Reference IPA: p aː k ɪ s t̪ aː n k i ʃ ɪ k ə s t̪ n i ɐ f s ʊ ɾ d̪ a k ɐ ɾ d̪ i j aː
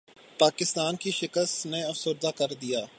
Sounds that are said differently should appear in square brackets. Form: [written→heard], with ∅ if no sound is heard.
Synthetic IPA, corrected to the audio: p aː k ɪ s t̪ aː n k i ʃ ɪ k ə s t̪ n [i→e] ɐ f s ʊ ɾ d̪ a k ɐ ɾ d̪ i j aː